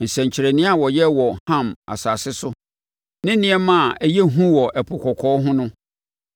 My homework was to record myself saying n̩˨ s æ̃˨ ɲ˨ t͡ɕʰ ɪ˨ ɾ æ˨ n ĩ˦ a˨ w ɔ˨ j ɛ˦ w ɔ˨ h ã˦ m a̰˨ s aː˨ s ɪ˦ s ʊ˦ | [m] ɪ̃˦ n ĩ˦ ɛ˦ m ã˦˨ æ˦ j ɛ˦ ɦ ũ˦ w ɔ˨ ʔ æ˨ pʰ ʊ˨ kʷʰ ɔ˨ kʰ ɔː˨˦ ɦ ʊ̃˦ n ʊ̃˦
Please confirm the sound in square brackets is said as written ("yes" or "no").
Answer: no